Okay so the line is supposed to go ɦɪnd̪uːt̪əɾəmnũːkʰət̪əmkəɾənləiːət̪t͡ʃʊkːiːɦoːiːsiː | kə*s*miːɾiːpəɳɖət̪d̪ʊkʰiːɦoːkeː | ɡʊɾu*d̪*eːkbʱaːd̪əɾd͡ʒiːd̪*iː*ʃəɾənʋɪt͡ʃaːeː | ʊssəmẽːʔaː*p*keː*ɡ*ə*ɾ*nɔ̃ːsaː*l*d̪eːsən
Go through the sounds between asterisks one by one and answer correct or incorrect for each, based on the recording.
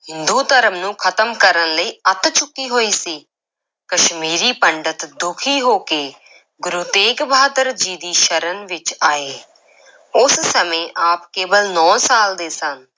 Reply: incorrect, incorrect, correct, correct, incorrect, incorrect, correct

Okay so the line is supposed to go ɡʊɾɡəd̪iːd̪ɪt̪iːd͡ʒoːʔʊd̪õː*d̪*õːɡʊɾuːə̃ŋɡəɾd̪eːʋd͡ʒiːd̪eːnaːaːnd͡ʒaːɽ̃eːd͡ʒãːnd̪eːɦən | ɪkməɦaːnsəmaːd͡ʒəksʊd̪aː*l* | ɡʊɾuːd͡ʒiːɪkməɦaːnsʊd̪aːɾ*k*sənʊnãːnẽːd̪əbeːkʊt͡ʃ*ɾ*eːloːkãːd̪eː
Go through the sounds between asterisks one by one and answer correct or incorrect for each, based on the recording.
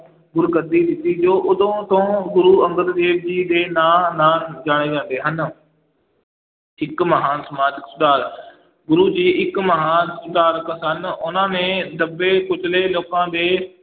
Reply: incorrect, incorrect, correct, incorrect

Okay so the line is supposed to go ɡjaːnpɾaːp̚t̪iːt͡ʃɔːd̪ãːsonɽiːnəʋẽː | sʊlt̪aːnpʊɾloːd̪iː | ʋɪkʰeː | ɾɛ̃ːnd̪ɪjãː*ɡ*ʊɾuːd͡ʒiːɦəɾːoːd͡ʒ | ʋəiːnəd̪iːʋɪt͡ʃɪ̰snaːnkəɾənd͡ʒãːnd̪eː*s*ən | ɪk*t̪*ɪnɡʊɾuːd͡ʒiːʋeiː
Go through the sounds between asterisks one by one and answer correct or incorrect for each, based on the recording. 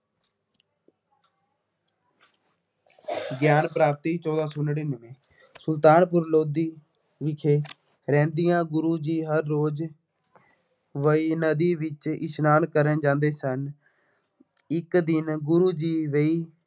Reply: correct, correct, incorrect

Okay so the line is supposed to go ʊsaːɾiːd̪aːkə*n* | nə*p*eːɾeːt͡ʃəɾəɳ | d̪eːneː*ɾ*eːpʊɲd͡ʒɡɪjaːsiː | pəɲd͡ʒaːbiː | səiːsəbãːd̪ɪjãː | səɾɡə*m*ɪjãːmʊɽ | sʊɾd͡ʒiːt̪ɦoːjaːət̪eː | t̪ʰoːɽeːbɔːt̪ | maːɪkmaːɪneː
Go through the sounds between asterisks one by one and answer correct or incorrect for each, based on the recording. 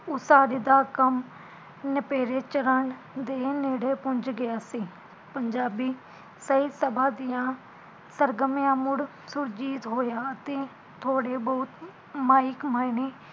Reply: incorrect, correct, incorrect, correct

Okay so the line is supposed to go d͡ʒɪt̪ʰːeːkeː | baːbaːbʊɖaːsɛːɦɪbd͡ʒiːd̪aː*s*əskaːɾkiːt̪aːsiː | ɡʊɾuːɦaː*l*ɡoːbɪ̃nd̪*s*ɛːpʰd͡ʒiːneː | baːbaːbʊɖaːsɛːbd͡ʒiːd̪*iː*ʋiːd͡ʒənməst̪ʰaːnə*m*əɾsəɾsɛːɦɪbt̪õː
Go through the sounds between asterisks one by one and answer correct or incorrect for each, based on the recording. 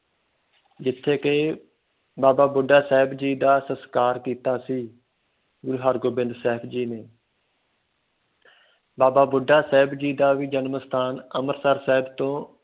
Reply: correct, incorrect, correct, incorrect, correct

